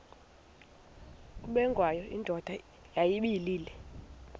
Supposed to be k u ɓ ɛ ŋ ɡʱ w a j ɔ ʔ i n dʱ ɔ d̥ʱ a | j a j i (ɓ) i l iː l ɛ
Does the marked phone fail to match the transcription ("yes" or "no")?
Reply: no